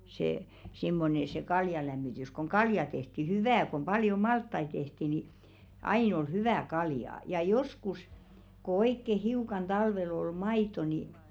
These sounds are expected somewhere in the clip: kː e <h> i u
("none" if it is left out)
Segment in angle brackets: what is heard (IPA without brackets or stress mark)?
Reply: h